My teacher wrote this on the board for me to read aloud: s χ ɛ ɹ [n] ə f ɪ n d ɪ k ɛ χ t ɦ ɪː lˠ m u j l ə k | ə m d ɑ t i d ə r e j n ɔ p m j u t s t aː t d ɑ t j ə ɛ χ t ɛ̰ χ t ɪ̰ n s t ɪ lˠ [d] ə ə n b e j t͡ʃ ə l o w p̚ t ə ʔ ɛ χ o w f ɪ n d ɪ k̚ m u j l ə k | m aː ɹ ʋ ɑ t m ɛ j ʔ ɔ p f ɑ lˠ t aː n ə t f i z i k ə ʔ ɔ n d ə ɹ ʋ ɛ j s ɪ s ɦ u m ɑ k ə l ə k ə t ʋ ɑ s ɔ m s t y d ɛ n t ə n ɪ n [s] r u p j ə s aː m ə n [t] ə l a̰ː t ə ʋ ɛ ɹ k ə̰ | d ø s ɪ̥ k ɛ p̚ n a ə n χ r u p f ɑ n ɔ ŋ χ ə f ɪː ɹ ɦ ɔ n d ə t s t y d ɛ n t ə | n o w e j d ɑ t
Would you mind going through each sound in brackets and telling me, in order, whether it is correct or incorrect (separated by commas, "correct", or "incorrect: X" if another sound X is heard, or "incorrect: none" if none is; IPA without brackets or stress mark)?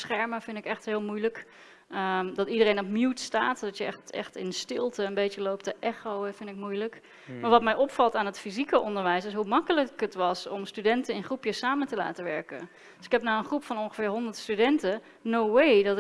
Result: incorrect: m, incorrect: t, incorrect: χ, correct